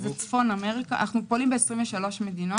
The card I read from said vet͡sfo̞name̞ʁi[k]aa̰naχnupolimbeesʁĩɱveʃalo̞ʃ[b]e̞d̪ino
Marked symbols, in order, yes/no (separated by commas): yes, no